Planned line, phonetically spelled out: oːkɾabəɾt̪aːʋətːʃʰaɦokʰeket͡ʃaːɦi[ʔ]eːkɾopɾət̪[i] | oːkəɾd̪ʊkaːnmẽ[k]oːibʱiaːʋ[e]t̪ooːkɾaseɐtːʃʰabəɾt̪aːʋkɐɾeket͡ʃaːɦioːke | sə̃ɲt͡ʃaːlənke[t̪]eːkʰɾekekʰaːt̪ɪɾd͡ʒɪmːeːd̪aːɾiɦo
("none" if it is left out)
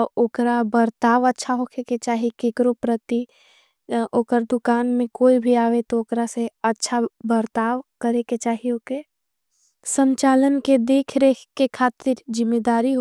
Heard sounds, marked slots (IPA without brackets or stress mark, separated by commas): k, i, k, e, d̪